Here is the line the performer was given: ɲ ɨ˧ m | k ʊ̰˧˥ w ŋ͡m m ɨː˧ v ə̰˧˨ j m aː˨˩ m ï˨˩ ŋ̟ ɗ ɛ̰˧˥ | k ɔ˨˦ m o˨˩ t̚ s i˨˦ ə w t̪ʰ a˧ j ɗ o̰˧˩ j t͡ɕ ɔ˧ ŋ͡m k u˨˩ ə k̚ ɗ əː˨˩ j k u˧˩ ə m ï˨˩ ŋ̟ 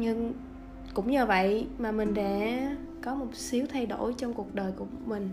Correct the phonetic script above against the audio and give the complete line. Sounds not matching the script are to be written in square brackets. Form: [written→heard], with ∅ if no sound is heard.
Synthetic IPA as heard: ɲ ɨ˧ [m→ŋ] | k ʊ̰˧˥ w ŋ͡m [m→ɲ] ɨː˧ v ə̰˧˨ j m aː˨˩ m ï˨˩ ŋ̟ ɗ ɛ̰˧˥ | k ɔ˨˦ m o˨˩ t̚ s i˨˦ ə w t̪ʰ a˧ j ɗ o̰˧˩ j t͡ɕ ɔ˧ ŋ͡m k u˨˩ ə k̚ ɗ əː˨˩ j k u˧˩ ə m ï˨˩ ŋ̟